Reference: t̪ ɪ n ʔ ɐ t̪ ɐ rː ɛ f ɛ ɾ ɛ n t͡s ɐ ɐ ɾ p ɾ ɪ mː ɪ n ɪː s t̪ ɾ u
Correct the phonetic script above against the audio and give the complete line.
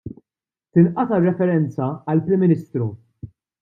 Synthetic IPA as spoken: t̪ ɪ n ʔ ɐ t̪ ɐ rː ɛ f ɛ ɾ ɛ n t͡s ɐ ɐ l p ɾ ɪ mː ɪ n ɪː s t̪ ɾ u